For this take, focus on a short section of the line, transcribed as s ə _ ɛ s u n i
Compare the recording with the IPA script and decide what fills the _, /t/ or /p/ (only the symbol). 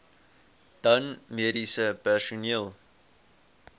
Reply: p